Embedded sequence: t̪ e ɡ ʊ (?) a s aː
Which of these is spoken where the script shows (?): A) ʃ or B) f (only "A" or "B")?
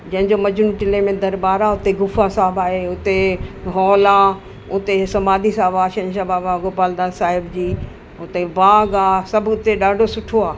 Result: B